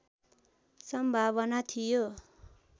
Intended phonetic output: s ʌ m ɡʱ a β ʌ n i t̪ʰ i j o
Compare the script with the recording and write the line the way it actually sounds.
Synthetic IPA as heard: s ʌ m bʱ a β ʌ n a t̪ʰ i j o